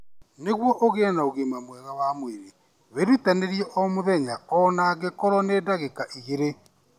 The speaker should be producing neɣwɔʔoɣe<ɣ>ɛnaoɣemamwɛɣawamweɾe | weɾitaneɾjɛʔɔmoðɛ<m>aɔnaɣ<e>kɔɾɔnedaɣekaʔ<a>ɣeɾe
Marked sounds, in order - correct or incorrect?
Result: incorrect: none, incorrect: ɲ, correct, incorrect: i

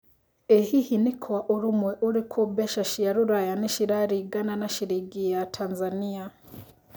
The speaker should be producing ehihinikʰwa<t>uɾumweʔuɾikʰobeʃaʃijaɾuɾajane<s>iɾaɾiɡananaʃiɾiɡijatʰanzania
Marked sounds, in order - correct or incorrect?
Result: incorrect: ʔ, incorrect: ʃ

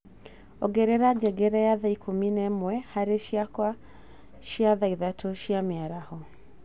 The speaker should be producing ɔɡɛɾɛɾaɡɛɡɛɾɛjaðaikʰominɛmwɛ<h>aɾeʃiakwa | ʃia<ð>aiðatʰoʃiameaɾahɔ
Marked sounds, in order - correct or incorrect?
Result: correct, correct

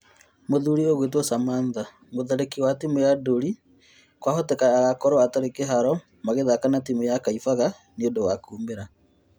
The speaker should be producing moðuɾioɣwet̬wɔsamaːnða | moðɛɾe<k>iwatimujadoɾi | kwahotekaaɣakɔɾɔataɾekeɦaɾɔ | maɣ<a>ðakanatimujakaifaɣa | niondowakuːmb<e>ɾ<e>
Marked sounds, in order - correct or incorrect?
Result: correct, incorrect: e, correct, incorrect: a

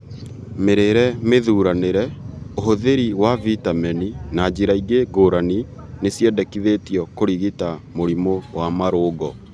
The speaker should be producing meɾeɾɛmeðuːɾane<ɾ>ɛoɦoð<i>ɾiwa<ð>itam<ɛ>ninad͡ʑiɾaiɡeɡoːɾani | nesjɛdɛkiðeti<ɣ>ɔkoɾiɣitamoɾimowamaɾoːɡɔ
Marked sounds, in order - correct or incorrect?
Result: correct, incorrect: e, incorrect: v, correct, incorrect: none

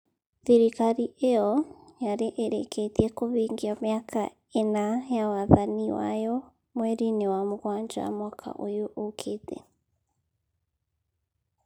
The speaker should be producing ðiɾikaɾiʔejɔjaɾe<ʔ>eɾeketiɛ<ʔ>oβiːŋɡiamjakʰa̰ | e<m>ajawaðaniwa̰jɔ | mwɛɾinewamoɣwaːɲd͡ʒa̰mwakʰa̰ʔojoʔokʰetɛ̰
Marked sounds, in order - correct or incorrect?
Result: correct, incorrect: k, incorrect: n

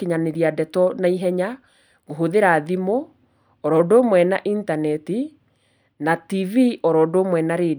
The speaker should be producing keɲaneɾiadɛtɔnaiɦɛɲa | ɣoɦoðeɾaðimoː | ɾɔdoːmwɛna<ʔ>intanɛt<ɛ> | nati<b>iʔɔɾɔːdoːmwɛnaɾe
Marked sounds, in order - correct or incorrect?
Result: correct, incorrect: i, incorrect: v

